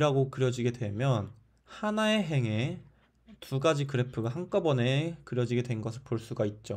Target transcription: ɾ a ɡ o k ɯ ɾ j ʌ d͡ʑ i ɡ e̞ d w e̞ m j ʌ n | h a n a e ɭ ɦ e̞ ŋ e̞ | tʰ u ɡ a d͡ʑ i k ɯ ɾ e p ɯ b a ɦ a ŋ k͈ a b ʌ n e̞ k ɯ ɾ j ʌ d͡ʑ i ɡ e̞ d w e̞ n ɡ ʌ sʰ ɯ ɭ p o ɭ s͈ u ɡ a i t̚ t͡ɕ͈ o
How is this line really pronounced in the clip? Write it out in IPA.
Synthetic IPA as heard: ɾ a ɡ o k ɯ ɾ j ʌ d͡ʑ i ɡ e̞ d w e̞ m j ʌ n | h a n a e ɦ e̞ ŋ e̞ | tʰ u ɡ a d͡ʑ i k ɯ ɾ e pʰ ɯ ɡ a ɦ a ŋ k͈ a b ʌ n e̞ k ɯ ɾ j ʌ d͡ʑ i ɡ e̞ d w e̞ n ɡ ʌ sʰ ɯ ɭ p o ɭ s͈ u ɡ a i t̚ t͡ɕ͈ o